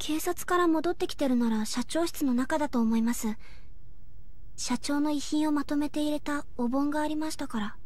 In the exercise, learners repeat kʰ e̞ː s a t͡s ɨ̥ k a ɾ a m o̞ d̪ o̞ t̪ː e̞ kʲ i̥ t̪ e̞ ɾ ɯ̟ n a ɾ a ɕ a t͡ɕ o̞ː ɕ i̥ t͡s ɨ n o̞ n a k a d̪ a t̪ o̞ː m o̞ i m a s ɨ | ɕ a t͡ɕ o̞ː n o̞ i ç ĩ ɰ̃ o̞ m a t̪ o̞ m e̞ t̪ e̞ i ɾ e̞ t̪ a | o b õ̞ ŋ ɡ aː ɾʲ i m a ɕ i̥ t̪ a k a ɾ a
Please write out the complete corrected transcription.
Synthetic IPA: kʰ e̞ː s a t͡s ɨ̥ k a ɾ a m o̞ d̪ o̞ t̪ː e̞ kʲ i̥ t̪ e̞ ɾ ɯ̟ n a ɾ a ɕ a t͡ɕ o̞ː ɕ i̥ t͡s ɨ n o̞ n a k a d̪ a t̪ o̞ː m o̞ i m a s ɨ | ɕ a t͡ɕ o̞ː n o̞ i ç ĩ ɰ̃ o̞ m a t̪ o̞ m e̞ t̪ e̞ i ɾ e̞ t̪ a | o b õ̞ ŋ ɡ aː ɾʲ i m a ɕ i̥ t̪ a k a ɾ a